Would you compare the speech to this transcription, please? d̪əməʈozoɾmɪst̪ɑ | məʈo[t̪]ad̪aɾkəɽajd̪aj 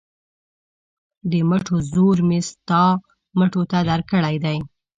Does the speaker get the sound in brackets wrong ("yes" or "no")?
no